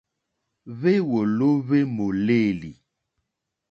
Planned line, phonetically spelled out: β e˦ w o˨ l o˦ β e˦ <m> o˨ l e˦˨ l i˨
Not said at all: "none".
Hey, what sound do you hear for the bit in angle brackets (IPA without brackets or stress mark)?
m